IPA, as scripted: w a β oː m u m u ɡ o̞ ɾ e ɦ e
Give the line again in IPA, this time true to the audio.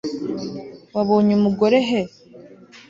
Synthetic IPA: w a β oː ɲ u m u ɡ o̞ ɾ e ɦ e